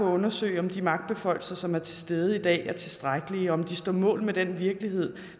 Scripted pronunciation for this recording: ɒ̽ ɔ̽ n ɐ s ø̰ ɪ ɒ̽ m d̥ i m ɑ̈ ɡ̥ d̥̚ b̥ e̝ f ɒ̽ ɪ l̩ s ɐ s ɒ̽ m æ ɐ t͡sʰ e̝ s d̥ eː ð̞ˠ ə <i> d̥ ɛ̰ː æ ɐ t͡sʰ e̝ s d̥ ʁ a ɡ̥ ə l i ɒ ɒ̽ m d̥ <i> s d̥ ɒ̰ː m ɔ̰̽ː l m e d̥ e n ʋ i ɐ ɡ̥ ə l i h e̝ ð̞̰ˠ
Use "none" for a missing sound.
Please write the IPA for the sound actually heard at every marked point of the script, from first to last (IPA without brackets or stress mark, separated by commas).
i, i